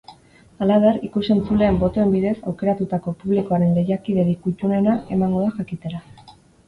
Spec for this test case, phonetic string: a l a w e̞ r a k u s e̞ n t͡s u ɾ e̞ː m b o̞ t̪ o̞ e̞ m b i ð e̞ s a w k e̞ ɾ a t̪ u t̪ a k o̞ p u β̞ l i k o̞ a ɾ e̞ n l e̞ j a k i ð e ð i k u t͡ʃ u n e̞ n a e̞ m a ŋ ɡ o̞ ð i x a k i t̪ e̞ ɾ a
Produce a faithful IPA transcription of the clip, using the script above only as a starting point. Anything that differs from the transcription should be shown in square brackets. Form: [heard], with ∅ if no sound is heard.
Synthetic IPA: a l a [β] e̞ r [i] k u s e̞ n t͡s u [l] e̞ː m b o̞ t̪ o̞ e̞ m b i ð e̞ s a w k e̞ ɾ a t̪ u t̪ a k o̞ p u β̞ l i k o̞ a ɾ e̞ n l e̞ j a k i ð e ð i k u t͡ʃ u n e̞ n a e̞ m a ŋ ɡ o̞ ð [a] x a k i t̪ e̞ ɾ a